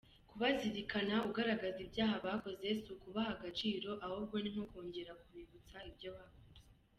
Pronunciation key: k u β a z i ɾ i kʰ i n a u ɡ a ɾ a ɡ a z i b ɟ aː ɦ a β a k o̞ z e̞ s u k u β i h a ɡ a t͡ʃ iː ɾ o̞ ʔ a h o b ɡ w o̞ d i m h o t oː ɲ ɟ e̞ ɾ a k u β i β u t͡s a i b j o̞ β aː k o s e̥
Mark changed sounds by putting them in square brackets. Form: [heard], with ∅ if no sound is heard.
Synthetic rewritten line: k u β a z i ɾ i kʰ [a] n a u ɡ a ɾ a ɡ a z i b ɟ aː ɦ a β a k o̞ z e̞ s u k u β [a] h a ɡ a t͡ʃ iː ɾ o̞ ʔ a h o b ɡ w o̞ [n] i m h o [k] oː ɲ ɟ e̞ ɾ a k u β i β u t͡s a i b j o̞ β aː k o [z] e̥